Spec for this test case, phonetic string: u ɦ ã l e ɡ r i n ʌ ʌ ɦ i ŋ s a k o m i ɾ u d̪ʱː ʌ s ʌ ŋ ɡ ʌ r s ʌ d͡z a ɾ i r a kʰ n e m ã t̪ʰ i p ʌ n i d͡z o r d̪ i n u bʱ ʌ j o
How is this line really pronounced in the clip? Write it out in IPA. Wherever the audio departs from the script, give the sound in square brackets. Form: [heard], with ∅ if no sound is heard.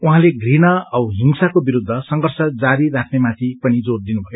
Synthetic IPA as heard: u ɦ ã l e ɡ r i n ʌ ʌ ɦ i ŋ s a k o [b] i ɾ u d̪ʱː ʌ s ʌ ŋ ɡ ʌ r s ʌ d͡z a ɾ i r a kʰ n e m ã t̪ʰ i p ʌ n i d͡z o r d̪ i n u bʱ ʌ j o